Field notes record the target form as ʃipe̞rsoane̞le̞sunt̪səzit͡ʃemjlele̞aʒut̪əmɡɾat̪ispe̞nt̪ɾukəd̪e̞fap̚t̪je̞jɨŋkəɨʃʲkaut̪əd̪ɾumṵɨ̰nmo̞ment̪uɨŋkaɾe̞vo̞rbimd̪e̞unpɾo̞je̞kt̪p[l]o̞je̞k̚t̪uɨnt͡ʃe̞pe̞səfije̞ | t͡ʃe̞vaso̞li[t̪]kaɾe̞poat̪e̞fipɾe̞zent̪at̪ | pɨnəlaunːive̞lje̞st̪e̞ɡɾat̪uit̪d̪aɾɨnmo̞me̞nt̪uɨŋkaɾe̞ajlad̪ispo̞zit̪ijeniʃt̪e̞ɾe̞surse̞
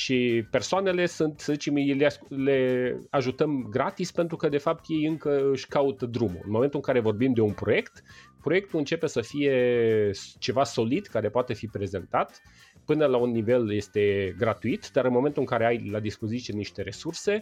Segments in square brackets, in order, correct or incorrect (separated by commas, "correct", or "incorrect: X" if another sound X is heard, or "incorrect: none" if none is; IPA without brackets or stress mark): incorrect: ɾ, incorrect: d̪